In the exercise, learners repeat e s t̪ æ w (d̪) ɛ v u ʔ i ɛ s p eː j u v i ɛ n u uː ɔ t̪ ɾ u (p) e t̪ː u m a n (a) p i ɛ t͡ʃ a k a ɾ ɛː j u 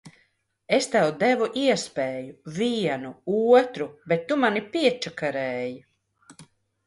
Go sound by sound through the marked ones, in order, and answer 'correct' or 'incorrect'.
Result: correct, incorrect, incorrect

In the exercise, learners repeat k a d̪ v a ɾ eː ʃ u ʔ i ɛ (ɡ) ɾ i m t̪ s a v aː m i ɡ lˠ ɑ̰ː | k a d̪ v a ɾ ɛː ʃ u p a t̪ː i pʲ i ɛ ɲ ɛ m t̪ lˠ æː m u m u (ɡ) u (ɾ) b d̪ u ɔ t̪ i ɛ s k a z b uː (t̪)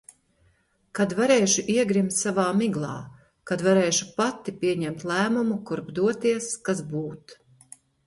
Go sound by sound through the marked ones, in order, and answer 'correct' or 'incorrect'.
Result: correct, incorrect, correct, correct

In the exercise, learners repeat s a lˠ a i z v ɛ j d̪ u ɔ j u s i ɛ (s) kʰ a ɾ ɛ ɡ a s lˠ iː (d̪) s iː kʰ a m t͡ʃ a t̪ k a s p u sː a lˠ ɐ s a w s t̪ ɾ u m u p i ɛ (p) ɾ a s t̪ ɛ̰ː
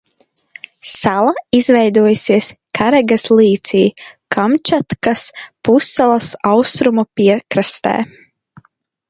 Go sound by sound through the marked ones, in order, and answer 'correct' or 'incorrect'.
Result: correct, incorrect, incorrect

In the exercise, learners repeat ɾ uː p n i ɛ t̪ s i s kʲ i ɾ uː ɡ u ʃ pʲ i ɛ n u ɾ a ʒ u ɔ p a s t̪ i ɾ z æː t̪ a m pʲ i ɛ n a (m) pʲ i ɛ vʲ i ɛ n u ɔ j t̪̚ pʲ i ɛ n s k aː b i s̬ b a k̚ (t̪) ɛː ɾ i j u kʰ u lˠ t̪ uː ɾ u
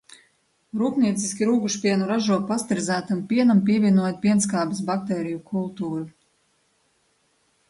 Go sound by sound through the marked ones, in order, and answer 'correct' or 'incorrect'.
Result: correct, correct

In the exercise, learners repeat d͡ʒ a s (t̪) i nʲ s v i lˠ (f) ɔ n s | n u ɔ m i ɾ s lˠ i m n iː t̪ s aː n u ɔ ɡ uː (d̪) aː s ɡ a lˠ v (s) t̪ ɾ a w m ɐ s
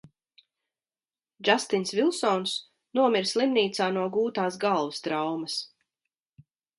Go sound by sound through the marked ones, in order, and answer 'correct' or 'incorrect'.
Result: correct, incorrect, incorrect, correct

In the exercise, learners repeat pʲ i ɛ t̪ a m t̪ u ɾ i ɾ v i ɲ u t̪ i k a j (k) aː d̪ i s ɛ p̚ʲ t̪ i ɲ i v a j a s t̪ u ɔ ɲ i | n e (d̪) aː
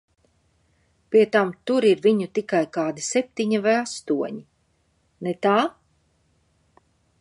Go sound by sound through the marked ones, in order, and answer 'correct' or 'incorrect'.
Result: correct, incorrect

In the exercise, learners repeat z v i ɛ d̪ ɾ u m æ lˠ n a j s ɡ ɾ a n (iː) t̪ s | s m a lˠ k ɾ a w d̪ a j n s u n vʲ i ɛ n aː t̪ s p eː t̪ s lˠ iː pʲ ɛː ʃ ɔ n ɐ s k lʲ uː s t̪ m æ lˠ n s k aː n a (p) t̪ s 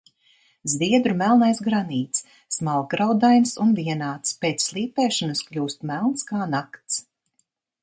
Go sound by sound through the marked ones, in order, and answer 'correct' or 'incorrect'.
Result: correct, incorrect

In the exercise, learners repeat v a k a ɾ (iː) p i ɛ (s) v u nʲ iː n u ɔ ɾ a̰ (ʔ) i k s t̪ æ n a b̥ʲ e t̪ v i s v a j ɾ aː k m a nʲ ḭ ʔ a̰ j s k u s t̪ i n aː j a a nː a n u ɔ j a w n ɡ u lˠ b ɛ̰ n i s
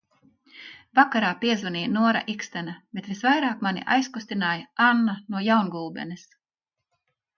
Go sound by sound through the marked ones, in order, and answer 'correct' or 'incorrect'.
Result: incorrect, incorrect, correct

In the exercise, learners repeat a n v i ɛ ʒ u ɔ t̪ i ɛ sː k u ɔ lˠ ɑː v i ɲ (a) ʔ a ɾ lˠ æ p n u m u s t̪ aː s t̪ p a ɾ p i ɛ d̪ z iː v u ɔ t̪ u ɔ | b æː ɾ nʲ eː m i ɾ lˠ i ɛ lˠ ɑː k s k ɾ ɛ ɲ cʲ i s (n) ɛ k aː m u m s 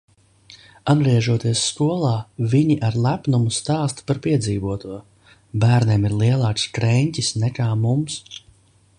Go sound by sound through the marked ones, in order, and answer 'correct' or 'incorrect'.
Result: incorrect, correct

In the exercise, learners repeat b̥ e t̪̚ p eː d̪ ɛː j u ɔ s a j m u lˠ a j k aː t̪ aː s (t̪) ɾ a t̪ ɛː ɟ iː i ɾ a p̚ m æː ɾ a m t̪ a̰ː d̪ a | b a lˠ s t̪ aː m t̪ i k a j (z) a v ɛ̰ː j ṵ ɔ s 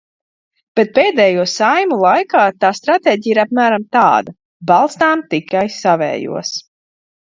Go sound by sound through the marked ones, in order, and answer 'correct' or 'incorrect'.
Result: correct, incorrect

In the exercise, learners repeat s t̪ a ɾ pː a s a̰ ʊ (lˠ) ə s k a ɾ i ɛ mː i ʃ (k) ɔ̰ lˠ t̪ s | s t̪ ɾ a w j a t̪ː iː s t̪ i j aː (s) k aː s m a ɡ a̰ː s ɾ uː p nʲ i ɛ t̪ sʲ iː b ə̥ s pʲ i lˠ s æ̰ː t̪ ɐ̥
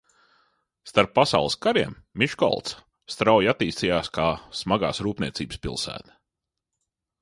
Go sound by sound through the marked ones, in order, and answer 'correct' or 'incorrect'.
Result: correct, correct, correct

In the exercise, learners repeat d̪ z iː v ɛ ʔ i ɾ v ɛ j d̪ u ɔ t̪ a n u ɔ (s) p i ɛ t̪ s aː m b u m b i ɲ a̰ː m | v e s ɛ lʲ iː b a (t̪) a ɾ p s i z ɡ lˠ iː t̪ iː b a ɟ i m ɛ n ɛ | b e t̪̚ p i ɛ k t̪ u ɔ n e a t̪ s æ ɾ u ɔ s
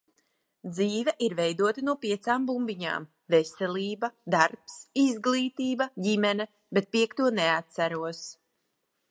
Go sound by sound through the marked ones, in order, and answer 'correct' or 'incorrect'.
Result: incorrect, incorrect

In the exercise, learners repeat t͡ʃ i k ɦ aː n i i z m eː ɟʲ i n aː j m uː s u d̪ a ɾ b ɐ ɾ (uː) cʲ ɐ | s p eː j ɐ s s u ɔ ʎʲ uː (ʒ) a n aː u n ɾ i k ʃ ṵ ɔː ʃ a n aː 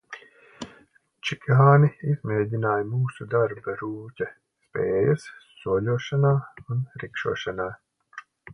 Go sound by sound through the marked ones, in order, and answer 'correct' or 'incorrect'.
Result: correct, incorrect

